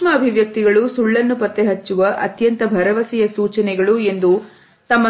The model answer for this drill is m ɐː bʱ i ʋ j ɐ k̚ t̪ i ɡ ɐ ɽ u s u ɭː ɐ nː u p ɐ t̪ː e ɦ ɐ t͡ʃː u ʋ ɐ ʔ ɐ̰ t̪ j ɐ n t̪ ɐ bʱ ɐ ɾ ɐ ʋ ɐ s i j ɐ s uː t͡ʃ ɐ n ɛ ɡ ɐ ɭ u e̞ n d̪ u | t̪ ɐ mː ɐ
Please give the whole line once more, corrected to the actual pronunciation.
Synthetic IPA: m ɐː bʱ i ʋ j ɐ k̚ t̪ i ɡ ɐ ɭ u s u ɭː ɐ nː u p ɐ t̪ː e ɦ ɐ t͡ʃː u ʋ ɐ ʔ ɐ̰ t̪ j ɐ n t̪ ɐ bʱ ɐ ɾ ɐ ʋ ɐ s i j ɐ s uː t͡ʃ ɐ n ɛ ɡ ɐ ɭ u e̞ n d̪ u | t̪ ɐ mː ɐ